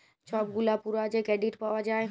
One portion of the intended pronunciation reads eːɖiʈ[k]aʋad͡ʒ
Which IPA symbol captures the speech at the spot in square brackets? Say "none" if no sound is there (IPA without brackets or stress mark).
p